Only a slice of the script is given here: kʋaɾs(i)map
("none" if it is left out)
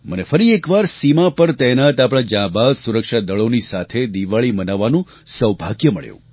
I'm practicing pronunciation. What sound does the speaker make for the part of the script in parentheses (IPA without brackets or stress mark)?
i